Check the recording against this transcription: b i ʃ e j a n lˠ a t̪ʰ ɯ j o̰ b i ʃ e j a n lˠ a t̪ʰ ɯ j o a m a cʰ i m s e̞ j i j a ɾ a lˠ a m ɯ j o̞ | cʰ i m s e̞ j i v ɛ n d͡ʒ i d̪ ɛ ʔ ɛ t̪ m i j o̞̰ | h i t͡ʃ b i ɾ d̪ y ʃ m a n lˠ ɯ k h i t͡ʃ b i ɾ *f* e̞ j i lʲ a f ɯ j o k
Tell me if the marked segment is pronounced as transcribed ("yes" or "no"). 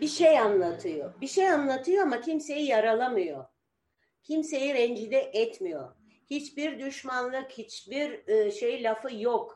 no